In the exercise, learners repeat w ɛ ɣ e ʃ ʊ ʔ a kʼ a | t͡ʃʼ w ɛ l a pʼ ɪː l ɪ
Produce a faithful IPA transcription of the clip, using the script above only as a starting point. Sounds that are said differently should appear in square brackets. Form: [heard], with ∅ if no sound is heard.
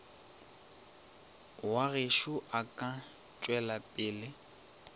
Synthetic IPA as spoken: w [a] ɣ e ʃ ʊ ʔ a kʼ a | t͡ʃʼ w ɛ l a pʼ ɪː l ɪ

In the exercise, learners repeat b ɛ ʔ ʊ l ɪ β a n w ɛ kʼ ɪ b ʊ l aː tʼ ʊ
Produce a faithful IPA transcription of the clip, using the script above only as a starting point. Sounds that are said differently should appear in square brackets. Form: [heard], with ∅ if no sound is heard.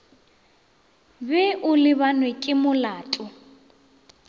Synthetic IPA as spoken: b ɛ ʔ ʊ l ɪ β a n w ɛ kʼ ɪ [m] ʊ l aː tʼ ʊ

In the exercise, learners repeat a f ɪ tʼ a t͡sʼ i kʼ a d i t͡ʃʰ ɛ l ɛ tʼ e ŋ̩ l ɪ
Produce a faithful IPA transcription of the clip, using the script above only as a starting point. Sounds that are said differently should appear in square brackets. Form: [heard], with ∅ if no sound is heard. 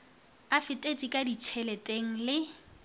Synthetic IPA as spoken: a f ɪ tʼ [e] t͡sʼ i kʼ a d i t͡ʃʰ ɛ l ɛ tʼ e ŋ̩ l ɪ

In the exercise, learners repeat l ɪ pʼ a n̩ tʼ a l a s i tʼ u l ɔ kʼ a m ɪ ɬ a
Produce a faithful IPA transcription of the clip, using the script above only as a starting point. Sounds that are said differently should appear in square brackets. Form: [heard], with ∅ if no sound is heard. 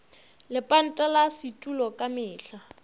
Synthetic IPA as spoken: l ɪ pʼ a n̩ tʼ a l a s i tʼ u l ɔ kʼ a m [ɪː] ɬ a

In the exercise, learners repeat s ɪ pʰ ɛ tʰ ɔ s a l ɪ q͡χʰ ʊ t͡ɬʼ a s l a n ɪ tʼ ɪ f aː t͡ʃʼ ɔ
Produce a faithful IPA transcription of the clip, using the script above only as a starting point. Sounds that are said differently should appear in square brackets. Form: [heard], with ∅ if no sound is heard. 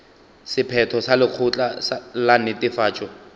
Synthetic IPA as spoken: s ɪ pʰ ɛ tʰ ɔ s a l ɪ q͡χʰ ʊ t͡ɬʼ a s l a n ɪ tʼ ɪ f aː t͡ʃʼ ɔ

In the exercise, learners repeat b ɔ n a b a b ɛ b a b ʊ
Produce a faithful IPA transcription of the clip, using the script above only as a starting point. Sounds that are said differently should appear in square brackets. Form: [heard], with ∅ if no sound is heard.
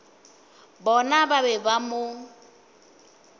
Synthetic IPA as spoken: b ɔ n a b a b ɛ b a [m] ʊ

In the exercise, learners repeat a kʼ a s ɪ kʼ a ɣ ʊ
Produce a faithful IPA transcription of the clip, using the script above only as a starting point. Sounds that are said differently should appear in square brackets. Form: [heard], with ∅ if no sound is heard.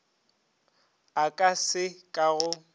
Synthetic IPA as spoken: a kʼ a s ɪ kʼ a ɣ ʊ

